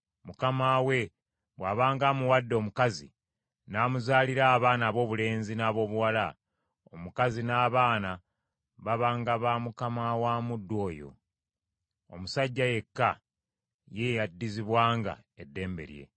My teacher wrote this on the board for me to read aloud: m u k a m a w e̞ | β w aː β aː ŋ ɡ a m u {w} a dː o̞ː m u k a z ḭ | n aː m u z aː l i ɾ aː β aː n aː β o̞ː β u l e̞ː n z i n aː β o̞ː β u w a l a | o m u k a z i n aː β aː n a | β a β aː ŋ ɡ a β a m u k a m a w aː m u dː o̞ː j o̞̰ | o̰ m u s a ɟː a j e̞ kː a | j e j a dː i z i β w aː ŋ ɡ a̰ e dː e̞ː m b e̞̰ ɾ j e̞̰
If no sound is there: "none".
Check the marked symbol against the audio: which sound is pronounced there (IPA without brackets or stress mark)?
w